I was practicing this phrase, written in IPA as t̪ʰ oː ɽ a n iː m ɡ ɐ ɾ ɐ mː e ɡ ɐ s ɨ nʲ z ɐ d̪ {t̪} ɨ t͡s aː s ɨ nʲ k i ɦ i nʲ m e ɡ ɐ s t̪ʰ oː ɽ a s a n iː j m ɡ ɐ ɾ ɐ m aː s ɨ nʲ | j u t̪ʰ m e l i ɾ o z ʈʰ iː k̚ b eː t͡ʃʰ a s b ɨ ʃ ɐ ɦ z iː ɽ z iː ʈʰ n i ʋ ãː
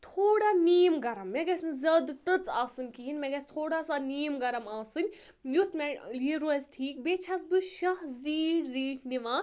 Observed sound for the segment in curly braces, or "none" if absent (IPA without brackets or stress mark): t̪